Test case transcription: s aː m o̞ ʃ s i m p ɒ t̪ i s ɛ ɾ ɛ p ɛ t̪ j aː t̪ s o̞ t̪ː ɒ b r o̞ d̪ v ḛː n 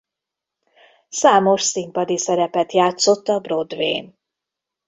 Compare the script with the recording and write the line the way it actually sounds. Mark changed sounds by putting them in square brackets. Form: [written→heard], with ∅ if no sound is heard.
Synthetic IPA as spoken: s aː m o̞ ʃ s i m p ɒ [t̪→d̪] i s ɛ ɾ ɛ p ɛ t̪ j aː t̪ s o̞ t̪ː ɒ b r o̞ d̪ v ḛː n